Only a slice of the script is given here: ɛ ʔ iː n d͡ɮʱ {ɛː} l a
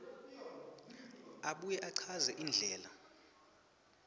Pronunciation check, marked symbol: correct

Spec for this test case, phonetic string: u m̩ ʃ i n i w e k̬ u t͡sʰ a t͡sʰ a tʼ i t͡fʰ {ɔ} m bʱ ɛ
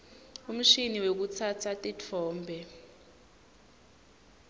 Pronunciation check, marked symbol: incorrect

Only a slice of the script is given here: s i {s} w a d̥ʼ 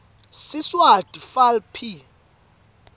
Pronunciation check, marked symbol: correct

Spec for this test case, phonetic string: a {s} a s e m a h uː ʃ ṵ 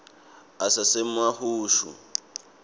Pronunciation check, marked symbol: correct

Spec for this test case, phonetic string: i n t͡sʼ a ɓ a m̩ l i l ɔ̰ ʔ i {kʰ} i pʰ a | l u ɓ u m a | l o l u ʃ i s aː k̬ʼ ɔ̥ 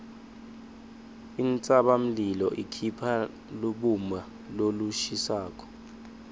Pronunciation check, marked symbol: correct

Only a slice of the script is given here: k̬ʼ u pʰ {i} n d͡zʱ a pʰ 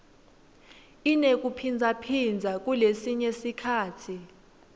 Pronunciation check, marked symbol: correct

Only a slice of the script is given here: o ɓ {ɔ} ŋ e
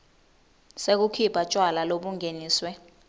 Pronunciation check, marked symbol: incorrect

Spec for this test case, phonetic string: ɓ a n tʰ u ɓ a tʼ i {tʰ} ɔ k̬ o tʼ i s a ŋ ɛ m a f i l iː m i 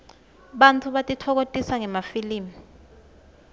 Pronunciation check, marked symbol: correct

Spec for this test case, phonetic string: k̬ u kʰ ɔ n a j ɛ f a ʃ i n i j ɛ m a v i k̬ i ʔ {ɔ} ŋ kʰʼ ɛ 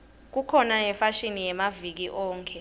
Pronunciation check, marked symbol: incorrect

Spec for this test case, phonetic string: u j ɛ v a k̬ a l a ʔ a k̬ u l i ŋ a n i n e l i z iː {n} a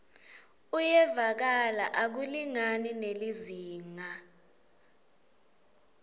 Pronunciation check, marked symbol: incorrect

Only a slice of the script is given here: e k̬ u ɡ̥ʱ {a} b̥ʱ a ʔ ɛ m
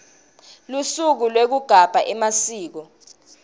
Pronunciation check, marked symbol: correct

